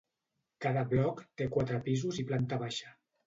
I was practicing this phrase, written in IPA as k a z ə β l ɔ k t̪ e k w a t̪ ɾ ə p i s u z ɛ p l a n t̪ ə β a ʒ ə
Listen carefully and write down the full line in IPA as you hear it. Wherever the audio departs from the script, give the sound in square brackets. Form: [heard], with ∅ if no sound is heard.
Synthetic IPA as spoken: k a [ð] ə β l ɔ k t̪ e k w a t̪ ɾ ə p i [z] u z [i] p l a n t̪ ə β a [ʃ] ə